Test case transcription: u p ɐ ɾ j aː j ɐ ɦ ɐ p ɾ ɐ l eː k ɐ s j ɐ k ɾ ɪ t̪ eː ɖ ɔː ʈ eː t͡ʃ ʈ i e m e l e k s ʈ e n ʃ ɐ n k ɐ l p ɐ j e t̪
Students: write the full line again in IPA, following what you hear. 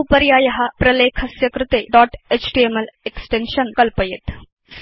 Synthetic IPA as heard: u p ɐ ɾ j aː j ɐ ɦ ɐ p ɾ ɐ l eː kʰ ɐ s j ɐ k ɾ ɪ t̪ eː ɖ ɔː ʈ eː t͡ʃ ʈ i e m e l e k s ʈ e n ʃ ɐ n k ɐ l p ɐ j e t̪

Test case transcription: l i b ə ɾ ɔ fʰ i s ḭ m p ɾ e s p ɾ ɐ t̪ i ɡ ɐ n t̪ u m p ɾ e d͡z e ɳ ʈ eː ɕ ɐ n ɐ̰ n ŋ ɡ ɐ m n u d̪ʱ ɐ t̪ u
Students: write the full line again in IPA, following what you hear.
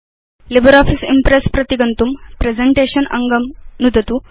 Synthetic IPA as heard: l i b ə ɾ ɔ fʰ i s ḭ m p ɾ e s p ɾ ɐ t̪ i ɡ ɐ n t̪ u m p ɾ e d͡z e ɳ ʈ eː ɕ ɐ n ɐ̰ ŋ ɡ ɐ m n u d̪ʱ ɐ t̪ u

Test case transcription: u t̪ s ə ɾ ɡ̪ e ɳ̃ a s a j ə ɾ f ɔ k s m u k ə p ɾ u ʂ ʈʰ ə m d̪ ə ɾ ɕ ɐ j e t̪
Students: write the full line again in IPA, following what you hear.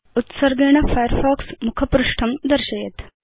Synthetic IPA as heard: u t̪ s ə ɾ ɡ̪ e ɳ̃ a f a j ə ɾ f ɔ k s m u kʰ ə p ɾ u ʂ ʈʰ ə m d̪ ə ɾ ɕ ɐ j e t̪

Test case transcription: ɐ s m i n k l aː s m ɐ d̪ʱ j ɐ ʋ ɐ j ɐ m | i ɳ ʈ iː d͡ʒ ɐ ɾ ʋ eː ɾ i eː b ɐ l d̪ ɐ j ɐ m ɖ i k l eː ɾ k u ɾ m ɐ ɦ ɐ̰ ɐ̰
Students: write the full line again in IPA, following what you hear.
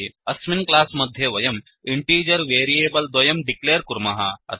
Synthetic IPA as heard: ɐ s m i n k l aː s m ɐ d̪ʱ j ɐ ʋ ɐ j ɐ m | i ɳ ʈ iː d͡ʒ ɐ ɾ ʋ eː ɾ i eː b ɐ l d̪ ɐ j ɐ m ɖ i k l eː ɾ k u ɾ m ɐ ɦ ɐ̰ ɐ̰

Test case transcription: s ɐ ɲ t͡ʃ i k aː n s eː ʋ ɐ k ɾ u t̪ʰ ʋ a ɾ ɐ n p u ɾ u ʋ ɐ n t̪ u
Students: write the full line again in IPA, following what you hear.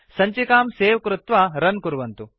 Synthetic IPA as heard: s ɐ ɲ t͡ʃ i k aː m s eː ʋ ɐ k ɾ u t̪ ʋ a ɾ ɐ n k u ɾ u ʋ ɐ n t̪ u

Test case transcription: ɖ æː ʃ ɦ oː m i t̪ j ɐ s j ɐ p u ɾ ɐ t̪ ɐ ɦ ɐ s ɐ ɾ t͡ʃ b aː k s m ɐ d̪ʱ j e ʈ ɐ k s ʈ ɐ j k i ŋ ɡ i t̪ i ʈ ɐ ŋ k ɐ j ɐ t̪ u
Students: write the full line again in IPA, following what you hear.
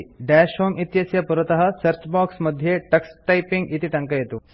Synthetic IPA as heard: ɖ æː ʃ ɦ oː m i t̪ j ɐ s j ɐ p u ɾ ɐ t̪ ɐ ɦ ɐ s ɐ ɾ t͡ʃ b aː k s m ɐ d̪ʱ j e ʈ ɐ k s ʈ ɐ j p i ŋ ɡ i t̪ i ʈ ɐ ŋ k ɐ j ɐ t̪ u

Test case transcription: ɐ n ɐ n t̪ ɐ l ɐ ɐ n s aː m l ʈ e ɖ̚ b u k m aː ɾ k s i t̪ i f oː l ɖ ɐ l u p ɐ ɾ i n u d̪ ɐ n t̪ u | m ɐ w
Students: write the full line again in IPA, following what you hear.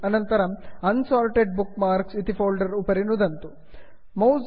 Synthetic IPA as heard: ɐ n ɐ n t̪ ɐ ɾ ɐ ɐ n s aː l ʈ e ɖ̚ b u k m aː ɾ k s i t̪ i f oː l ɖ ɐ ɾ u p ɐ ɾ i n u d̪ ɐ n t̪ u | m ɐ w

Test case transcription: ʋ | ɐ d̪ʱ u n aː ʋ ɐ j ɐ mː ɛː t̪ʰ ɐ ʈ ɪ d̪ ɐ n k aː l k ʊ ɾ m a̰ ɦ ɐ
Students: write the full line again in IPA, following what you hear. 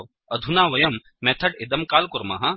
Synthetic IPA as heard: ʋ | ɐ d̪ʱ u n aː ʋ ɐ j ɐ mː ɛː t̪ʰ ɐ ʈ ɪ d̪ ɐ m k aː l k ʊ ɾ m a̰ ɦ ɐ

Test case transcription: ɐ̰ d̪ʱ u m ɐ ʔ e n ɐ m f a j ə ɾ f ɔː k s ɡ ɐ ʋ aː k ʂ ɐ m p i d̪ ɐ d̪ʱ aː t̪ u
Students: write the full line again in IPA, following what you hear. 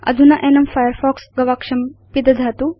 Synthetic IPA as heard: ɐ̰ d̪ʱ u n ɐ ʔ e n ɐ m f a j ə ɾ f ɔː k s ɡ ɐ ʋ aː k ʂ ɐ m p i d̪ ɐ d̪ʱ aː t̪ u

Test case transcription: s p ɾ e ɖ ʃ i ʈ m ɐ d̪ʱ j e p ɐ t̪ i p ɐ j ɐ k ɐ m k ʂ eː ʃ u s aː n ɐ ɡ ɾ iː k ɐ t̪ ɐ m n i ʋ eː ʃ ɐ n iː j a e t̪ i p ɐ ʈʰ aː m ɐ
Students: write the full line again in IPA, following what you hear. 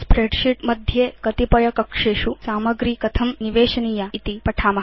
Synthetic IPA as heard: s p ɾ e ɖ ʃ i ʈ m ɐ d̪ʱ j e k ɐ t̪ i p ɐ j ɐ k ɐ k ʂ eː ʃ u s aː m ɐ ɡ ɾ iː k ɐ t̪ʰ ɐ m n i ʋ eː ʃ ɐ n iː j a i t̪ i p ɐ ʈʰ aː m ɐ

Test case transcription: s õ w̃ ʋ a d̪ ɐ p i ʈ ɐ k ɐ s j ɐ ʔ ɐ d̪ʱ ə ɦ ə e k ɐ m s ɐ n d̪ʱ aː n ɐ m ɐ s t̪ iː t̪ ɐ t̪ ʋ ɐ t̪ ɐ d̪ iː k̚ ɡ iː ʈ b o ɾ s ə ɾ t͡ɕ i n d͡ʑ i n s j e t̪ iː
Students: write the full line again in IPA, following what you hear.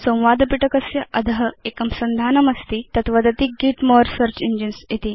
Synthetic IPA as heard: s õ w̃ ʋ a d̪ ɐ p i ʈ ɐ k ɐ s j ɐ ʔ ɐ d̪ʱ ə ɦ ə e k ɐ m s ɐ n d̪ʱ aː n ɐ m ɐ s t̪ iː t̪ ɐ t̪ ʋ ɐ d̪ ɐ t̪ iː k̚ ɡ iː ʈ m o ɾ s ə ɾ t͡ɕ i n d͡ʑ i n s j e t̪ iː

